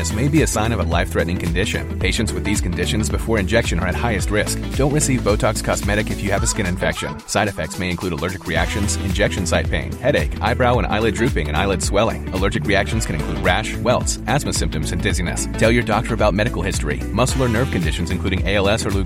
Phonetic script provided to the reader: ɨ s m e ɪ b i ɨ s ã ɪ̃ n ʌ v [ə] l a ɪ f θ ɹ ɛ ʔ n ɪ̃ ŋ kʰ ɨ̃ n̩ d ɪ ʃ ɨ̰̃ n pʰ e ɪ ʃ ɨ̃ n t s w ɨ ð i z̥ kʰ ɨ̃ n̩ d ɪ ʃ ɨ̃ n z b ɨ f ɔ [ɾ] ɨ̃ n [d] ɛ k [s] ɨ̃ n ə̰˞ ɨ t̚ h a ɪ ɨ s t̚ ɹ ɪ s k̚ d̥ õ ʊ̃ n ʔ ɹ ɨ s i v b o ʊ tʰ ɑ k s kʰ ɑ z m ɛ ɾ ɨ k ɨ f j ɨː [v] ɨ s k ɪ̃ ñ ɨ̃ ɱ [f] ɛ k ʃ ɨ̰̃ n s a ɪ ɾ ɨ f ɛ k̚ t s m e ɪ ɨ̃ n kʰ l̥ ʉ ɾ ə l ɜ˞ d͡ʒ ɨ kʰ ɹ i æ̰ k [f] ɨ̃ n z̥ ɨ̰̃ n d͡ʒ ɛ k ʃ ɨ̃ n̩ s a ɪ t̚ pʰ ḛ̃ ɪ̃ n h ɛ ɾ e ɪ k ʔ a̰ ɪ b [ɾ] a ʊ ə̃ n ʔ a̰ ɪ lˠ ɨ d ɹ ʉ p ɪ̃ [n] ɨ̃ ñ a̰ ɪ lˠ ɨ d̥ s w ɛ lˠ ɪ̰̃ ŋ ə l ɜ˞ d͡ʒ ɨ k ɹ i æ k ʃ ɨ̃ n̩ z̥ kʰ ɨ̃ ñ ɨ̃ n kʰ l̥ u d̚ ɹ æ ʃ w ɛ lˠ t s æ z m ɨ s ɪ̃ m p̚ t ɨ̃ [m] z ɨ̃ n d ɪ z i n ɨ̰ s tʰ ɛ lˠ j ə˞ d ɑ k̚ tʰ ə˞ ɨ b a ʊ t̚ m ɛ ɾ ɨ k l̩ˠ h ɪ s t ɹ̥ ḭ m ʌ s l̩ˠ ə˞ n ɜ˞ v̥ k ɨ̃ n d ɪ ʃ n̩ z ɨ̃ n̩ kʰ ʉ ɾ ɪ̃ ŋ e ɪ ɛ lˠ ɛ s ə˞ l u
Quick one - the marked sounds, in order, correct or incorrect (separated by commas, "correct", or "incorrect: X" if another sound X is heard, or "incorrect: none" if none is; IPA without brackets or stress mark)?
correct, incorrect: ɹ, incorrect: d͡ʒ, incorrect: ʃ, correct, correct, incorrect: ʃ, incorrect: ɹ, incorrect: ŋ, correct